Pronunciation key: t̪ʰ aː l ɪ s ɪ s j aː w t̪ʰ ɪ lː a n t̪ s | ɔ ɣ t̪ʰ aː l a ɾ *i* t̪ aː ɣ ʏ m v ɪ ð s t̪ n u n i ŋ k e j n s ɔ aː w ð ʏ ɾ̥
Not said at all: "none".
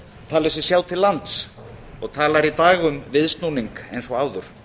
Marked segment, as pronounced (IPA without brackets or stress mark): i